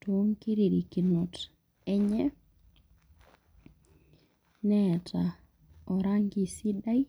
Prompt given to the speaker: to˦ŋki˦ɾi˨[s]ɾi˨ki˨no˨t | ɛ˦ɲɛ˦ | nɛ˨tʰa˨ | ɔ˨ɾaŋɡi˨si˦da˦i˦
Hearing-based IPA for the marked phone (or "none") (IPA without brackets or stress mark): none